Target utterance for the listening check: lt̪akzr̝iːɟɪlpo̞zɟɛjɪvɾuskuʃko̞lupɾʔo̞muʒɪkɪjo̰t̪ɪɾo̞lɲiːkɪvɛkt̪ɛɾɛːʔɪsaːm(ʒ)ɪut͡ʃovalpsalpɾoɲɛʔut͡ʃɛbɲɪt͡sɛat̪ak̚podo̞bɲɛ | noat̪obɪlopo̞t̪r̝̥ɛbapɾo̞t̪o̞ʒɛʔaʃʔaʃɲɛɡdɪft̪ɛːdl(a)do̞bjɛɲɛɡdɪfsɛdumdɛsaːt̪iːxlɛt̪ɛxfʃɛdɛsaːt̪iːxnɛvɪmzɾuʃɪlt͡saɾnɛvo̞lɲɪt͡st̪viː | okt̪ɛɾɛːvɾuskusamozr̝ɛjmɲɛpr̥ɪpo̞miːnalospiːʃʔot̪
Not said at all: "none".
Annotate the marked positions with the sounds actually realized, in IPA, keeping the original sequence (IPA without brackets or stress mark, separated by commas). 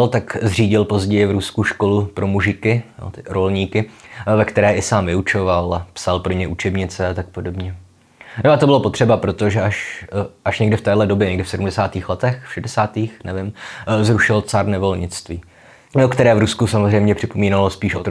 v, ɛ